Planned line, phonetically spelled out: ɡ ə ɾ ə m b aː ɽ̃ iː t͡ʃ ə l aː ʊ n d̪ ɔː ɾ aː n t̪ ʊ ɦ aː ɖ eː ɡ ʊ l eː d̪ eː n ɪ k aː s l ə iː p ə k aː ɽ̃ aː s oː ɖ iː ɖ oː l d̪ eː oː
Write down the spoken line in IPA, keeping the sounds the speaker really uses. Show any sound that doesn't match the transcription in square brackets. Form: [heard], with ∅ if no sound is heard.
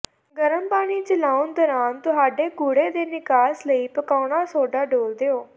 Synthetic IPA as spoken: ɡ ə ɾ ə m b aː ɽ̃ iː t͡ʃ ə l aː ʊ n d̪ ɔː ɾ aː n t̪ ʊ ɦ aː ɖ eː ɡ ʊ [ɽ] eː d̪ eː n ɪ k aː s l ə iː p ə k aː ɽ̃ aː s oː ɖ [aː] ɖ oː l d̪ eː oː

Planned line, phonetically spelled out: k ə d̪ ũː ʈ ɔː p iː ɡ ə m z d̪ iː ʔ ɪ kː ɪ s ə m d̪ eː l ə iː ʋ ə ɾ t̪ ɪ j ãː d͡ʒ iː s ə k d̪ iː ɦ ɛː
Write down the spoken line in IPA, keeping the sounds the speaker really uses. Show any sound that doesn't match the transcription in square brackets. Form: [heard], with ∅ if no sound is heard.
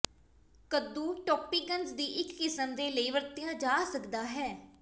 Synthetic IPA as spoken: k ə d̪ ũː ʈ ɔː p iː ɡ ə [n] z d̪ iː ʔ ɪ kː ɪ s ə m d̪ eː l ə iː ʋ ə ɾ t̪ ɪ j ãː d͡ʒ [aː] s ə k d̪ [aː] ɦ ɛː

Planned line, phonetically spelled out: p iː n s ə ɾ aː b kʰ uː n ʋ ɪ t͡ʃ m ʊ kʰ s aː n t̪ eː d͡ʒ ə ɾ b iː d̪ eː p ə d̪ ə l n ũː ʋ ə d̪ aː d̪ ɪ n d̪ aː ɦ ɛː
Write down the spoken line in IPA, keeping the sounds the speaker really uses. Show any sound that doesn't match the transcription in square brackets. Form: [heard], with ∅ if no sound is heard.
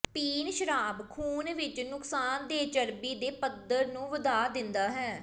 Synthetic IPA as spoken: p iː n [ʃ] ə ɾ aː b kʰ uː n ʋ ɪ t͡ʃ [n] ʊ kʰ s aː n [d̪] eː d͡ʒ ə ɾ b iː d̪ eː p ə d̪ ə [ɾ] n ũː ʋ ə d̪ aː d̪ ɪ n d̪ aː ɦ ɛː

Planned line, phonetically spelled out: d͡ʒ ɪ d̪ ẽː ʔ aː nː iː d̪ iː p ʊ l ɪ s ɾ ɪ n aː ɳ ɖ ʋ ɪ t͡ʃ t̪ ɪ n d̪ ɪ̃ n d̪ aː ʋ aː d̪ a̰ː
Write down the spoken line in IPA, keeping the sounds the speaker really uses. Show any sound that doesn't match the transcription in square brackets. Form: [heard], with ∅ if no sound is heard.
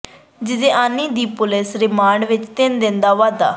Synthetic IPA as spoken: d͡ʒ ɪ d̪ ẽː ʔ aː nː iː d̪ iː p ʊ l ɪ s ɾ ɪ [m] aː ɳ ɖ ʋ ɪ t͡ʃ t̪ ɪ n d̪ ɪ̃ n d̪ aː ʋ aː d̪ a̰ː

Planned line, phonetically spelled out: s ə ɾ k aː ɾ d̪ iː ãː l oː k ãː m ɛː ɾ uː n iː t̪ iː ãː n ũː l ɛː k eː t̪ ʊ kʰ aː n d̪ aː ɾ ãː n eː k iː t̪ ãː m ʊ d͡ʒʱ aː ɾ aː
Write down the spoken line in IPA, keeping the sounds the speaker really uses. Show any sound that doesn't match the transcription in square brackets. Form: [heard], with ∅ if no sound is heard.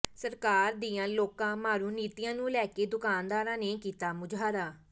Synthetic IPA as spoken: s ə ɾ k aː ɾ d̪ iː ãː l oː k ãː m [aː] ɾ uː n iː t̪ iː ãː n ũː l ɛː k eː [d̪] ʊ [k] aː n d̪ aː ɾ ãː n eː k iː t̪ [aː] m ʊ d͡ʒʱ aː ɾ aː

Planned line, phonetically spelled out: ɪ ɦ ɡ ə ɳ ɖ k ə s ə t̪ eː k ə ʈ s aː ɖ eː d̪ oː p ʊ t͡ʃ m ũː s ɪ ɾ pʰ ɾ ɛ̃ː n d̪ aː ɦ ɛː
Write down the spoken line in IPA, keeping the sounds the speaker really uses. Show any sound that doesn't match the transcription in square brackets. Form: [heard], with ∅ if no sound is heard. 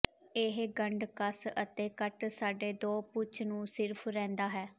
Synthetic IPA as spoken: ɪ ɦ ɡ ə ɳ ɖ k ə s ə t̪ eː k ə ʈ s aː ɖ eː d̪ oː p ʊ t͡ʃ [n] ũː s ɪ ɾ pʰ ɾ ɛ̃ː n d̪ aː ɦ ɛː

